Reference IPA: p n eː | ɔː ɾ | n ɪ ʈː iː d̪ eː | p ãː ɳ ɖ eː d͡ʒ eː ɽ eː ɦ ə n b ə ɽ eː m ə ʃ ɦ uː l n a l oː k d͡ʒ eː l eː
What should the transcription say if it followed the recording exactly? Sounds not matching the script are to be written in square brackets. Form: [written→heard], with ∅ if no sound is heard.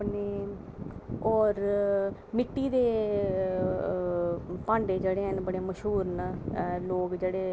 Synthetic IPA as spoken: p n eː | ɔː ɾ | [n→m] ɪ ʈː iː d̪ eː | p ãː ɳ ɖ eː d͡ʒ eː ɽ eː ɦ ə n b ə ɽ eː m ə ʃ ɦ uː [l→ɾ] n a l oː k d͡ʒ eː [l→ɽ] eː